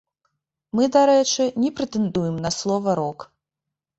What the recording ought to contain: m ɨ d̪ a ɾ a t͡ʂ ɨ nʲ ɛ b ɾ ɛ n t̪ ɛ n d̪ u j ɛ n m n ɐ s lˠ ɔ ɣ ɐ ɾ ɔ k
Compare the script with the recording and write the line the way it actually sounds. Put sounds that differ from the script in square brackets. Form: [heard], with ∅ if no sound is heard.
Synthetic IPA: m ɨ d̪ a ɾ [ɛ] t͡ʂ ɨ nʲ ɛ [p] ɾ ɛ [∅] t̪ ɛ n d̪ u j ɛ [∅] m n ɐ s lˠ ɔ [v] ɐ ɾ ɔ k